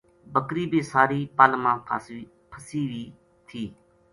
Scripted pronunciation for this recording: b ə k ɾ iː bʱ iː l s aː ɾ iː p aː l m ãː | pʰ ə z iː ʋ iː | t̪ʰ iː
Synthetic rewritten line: b ə k ɾ iː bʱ iː s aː ɾ iː p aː l m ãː | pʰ ə s iː ʋ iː | t̪ʰ iː